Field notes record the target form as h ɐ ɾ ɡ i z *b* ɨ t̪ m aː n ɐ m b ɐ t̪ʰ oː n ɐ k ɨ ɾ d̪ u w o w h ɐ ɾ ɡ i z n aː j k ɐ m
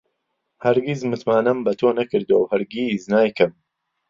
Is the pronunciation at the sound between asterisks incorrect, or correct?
incorrect: m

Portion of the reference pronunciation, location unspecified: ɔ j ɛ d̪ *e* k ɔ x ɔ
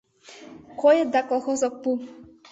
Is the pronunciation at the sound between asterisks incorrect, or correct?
incorrect: a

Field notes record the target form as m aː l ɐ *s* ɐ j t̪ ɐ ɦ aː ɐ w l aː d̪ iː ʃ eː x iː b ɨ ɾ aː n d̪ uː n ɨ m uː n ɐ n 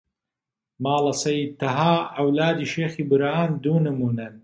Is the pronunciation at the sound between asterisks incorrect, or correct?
correct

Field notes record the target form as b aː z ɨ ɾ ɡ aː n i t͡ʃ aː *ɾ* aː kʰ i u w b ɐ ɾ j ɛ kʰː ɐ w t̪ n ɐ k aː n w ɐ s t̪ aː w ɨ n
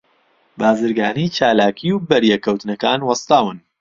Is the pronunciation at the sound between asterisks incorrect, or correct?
incorrect: l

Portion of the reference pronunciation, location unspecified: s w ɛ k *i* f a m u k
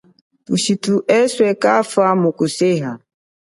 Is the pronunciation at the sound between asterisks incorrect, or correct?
incorrect: a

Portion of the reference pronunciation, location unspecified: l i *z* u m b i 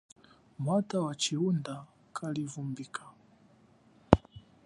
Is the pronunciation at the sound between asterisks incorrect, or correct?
incorrect: v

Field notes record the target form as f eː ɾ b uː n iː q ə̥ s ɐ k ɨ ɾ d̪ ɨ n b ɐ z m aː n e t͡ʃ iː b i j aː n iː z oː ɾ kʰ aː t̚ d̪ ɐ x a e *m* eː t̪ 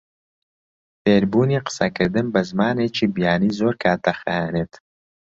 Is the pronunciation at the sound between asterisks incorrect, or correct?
incorrect: n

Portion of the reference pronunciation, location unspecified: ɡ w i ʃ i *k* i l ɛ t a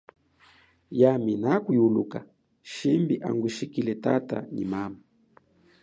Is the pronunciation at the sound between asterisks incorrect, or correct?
correct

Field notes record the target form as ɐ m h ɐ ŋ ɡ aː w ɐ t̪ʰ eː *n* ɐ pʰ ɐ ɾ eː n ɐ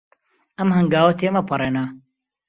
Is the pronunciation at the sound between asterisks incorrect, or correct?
incorrect: m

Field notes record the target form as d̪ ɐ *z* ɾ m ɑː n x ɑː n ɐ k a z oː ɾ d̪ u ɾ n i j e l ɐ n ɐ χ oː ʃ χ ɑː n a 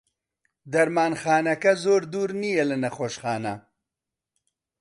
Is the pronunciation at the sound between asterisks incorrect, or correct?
incorrect: none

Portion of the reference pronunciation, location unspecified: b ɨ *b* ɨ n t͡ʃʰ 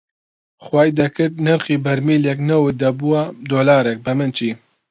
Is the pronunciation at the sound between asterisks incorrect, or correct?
incorrect: m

